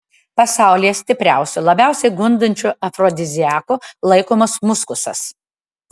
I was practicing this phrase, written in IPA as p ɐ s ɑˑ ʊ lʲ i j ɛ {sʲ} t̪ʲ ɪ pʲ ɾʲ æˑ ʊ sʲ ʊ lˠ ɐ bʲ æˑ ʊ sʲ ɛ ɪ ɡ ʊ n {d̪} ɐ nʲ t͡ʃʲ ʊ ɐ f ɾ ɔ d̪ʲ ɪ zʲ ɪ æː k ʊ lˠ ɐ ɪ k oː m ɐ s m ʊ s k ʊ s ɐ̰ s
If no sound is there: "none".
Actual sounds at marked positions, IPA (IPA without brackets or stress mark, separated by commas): sʲ, d̪